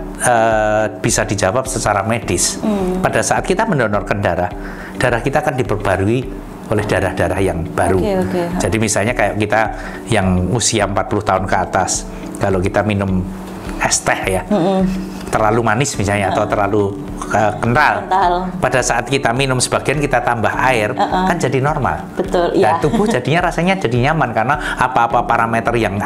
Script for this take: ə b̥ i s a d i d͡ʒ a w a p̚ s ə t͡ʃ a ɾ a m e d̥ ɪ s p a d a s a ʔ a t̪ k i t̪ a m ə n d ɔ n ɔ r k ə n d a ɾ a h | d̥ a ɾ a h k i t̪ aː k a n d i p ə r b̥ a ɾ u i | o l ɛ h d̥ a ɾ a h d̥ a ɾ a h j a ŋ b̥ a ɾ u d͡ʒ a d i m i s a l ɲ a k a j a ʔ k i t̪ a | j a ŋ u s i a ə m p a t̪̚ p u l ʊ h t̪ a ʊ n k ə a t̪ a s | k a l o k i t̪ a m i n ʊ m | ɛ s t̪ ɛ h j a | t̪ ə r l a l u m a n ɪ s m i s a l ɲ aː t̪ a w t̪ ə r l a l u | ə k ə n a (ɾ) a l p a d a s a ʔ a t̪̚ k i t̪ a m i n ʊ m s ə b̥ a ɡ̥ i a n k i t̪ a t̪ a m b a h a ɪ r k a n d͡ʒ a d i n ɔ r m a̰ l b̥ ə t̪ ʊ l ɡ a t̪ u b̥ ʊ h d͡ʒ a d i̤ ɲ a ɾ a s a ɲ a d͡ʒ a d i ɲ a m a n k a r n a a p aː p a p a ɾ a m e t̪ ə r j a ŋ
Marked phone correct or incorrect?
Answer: incorrect